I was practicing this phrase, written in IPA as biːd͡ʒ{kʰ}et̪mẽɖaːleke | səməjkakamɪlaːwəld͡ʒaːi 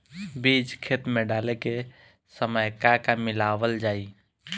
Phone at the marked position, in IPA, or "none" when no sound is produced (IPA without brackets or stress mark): kʰ